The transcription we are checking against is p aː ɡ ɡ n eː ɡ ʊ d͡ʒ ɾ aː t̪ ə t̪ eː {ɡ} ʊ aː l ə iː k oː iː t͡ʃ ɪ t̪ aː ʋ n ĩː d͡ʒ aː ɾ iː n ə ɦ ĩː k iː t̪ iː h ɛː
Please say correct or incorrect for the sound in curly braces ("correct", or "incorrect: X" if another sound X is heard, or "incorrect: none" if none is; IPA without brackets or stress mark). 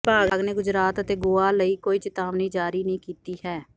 correct